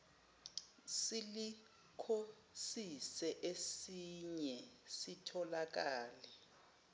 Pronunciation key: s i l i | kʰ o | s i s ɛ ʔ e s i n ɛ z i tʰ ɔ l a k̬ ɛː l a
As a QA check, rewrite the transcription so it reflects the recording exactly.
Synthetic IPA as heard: s i l i | kʰ o | s i s ɛ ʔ e s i ɲ ɛ s i tʰ ɔ l a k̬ aː l ɛ